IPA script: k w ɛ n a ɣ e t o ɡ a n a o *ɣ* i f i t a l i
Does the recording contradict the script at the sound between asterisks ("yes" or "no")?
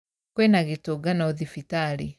yes